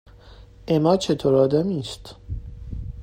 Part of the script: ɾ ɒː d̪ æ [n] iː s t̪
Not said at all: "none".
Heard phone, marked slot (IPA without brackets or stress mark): m